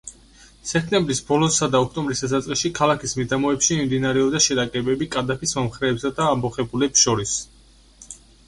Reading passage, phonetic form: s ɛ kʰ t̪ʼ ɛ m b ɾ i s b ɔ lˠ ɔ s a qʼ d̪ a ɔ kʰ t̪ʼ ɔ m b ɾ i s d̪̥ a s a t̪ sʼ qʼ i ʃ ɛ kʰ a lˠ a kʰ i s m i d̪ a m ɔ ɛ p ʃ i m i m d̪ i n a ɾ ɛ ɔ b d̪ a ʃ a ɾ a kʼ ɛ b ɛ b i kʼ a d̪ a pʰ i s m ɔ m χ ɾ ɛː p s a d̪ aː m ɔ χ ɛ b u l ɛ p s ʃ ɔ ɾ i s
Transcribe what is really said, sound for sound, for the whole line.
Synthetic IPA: s ɛ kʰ t̪ʼ ɛ m b ɾ i s b ɔ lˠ ɔ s a d̪ a ɔ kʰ t̪ʼ ɔ m b ɾ i s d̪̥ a s a t̪ sʼ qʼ i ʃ i kʰ a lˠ a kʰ i s m i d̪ a m ɔ ɛ p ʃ i m i m d̪ i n a ɾ ɛ ɔ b d̪ a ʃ ɛ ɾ a kʼ ɛ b ɛ b i kʼ a d̪ a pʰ i s m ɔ m χ ɾ ɛː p s a d̪ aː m ɔ χ ɛ b u l ɛ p s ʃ ɔ ɾ i s